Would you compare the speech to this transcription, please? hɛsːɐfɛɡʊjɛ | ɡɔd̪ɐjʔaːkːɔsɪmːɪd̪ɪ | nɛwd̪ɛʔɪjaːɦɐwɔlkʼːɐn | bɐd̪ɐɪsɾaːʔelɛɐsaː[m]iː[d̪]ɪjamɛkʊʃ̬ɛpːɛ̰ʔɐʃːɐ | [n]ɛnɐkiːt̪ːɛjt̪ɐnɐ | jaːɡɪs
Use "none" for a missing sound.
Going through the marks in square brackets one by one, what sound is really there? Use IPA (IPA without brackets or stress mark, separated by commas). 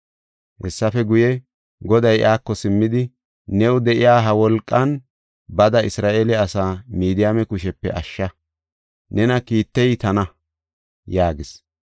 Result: m, d̪, n